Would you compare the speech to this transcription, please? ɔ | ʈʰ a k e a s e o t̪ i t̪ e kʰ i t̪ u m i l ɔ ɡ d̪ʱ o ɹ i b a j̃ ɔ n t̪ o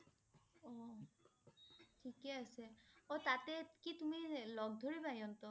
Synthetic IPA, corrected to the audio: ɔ | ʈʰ i k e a s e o t̪ a t̪ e k i t̪ u m i l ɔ ɡ d̪ʱ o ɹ i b a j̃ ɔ n t̪ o

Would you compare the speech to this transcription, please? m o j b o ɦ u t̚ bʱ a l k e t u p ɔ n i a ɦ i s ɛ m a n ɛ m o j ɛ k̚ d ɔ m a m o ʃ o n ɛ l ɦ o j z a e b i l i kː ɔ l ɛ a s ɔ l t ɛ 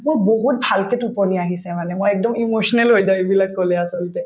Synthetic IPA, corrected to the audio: m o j b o ɦ u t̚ bʱ a l k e t u p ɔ n i a ɦ i s ɛ m a n ɛ m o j ɛ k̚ d ɔ m i m o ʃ ɔ n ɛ l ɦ o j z a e b i l a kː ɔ l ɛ a s ɔ l t ɛ

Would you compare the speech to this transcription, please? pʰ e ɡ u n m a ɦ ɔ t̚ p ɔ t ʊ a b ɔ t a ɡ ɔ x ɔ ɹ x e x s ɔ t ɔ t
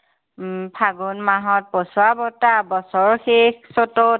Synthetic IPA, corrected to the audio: pʰ a ɡ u n m a ɦ ɔ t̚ p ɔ s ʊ a b ɔ t a b ɔ s ɔ ɹ x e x s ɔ t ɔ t

